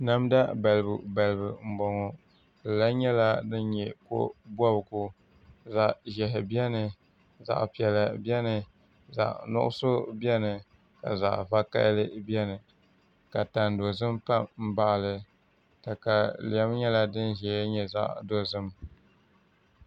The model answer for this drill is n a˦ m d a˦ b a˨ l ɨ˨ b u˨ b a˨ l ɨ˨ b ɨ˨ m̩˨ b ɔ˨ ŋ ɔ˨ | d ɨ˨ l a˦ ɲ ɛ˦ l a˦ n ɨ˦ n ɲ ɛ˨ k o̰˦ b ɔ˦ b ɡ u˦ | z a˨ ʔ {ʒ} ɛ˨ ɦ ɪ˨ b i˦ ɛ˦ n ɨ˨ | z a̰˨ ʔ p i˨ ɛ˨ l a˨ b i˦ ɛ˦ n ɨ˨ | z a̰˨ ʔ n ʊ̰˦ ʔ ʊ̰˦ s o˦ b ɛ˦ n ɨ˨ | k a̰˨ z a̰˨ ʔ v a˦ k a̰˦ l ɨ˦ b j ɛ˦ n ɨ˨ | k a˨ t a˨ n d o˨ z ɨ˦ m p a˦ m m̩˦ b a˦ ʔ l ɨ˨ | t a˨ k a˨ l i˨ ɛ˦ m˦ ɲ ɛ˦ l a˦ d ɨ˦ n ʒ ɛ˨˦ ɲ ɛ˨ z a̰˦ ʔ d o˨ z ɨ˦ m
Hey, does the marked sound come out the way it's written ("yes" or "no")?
yes